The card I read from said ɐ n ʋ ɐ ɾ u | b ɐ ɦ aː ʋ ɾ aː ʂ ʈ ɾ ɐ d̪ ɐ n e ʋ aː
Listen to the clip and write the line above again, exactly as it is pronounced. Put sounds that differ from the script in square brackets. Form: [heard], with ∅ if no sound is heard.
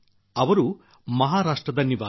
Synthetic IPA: ɐ [∅] ʋ ɐ ɾ u | [m] ɐ ɦ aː [∅] ɾ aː ʂ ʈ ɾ ɐ d̪ ɐ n [i] ʋ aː